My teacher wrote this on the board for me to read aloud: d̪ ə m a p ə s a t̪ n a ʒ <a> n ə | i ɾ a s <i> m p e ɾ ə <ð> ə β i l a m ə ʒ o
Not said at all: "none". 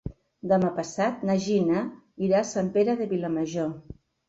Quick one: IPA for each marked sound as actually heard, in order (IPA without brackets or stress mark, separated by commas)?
i, a, ð